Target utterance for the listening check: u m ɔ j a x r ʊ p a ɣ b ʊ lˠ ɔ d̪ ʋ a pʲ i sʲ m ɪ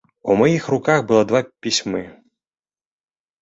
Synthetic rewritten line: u m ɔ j i x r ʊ k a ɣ b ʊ lˠ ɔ d̪ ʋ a pʲ i sʲ m ɪ